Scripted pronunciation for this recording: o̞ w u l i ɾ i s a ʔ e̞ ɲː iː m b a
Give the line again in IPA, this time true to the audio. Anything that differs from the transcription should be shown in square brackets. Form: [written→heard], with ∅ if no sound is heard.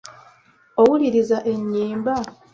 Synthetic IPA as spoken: o̞ w u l i ɾ i [s→z] a ʔ e̞ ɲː iː m b a